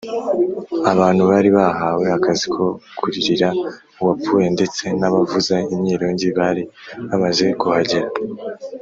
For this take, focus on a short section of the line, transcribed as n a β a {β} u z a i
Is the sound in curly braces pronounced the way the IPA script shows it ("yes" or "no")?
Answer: no